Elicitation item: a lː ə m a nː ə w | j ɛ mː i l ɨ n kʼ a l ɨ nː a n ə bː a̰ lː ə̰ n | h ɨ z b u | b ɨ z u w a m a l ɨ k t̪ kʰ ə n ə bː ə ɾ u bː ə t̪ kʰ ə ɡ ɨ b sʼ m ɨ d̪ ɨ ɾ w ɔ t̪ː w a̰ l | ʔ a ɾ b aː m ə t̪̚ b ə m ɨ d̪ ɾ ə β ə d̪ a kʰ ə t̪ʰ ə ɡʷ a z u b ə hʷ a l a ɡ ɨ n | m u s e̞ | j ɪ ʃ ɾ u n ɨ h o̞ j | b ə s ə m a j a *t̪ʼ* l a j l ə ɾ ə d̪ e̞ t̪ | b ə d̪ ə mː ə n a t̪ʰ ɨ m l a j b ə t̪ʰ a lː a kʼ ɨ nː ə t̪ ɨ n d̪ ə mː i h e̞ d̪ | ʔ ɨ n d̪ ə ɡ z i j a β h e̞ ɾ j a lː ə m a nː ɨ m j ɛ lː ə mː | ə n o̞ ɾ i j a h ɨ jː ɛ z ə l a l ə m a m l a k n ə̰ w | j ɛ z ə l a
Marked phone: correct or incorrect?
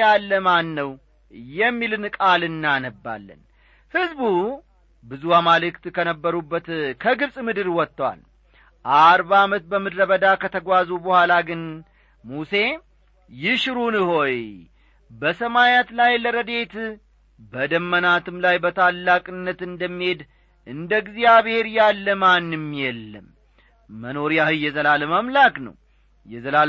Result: incorrect